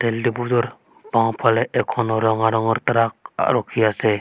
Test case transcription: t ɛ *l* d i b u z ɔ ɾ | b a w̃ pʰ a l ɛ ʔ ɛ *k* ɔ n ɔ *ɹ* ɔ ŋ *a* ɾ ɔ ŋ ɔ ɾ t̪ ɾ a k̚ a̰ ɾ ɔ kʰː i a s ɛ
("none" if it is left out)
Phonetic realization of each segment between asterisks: l, kʰ, ɾ, a

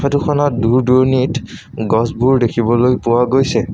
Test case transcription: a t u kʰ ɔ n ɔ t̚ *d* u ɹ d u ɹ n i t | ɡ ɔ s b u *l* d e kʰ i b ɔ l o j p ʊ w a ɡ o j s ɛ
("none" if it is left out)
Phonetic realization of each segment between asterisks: d, ɹ

